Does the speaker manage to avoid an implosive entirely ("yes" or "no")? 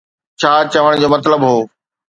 yes